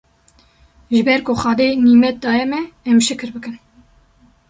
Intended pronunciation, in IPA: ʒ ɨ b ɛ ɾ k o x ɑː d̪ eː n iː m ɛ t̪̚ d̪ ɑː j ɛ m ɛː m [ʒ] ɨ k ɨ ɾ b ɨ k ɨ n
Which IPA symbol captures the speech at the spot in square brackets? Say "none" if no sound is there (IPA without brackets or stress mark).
ʃ